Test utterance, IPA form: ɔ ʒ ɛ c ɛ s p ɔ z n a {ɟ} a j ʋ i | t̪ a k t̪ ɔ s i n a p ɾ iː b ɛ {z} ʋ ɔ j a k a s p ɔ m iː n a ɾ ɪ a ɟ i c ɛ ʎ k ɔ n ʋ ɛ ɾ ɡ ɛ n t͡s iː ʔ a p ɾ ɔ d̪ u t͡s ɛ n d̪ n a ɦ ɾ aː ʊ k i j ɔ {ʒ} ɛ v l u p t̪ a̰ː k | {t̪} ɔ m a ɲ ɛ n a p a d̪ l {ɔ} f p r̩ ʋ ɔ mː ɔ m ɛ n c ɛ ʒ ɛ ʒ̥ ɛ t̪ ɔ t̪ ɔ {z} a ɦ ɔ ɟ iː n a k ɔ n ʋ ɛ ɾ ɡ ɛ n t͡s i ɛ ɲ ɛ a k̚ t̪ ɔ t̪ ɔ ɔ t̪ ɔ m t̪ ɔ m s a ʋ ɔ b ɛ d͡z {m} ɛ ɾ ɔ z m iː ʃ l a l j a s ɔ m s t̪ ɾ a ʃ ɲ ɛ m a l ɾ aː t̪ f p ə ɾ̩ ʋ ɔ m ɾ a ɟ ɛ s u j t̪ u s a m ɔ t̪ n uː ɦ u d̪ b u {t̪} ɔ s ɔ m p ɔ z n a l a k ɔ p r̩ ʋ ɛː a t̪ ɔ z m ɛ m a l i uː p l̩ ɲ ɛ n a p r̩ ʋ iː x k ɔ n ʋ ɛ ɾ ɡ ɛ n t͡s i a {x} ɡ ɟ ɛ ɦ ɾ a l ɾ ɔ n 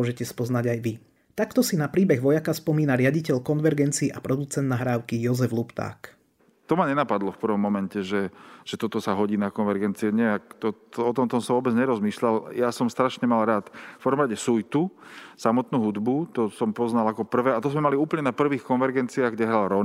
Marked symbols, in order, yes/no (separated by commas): yes, no, no, yes, yes, no, no, yes, no